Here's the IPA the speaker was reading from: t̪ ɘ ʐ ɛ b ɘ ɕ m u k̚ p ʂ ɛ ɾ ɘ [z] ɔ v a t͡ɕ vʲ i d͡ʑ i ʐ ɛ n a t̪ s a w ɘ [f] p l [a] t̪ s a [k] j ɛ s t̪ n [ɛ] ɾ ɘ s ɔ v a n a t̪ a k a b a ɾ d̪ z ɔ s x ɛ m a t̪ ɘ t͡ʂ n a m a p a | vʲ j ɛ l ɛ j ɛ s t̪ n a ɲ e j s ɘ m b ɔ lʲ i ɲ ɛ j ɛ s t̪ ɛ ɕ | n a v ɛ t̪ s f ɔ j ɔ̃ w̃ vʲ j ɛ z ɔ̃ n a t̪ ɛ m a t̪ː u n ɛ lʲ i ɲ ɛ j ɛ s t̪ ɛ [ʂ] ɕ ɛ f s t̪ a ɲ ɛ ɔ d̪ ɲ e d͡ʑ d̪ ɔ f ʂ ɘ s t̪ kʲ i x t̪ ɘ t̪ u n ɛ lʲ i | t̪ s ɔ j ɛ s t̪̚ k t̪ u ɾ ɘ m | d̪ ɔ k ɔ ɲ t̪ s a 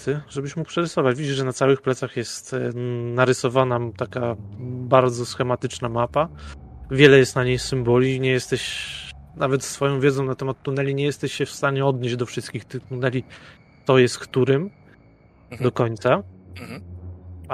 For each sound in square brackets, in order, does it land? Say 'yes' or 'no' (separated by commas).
no, no, no, no, no, no